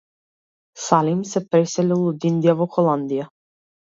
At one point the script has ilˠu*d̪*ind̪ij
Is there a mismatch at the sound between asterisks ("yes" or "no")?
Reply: no